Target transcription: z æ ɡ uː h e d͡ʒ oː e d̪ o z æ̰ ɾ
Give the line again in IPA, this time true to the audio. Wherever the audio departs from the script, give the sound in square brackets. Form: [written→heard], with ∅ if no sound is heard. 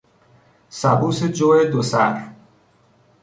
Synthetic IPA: [z→s] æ [ɡ→b] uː [h→s] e d͡ʒ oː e d̪ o [z→s] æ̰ ɾ